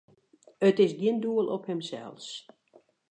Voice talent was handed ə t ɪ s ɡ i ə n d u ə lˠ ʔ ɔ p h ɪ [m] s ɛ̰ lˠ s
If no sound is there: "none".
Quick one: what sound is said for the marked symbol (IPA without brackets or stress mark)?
m